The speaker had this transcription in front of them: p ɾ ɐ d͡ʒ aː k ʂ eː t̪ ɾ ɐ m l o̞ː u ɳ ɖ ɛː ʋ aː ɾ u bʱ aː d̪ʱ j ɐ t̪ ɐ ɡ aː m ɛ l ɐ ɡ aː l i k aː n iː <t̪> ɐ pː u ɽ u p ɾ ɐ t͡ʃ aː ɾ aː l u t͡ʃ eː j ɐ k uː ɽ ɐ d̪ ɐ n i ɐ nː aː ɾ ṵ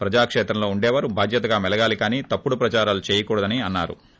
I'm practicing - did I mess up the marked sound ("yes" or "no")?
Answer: no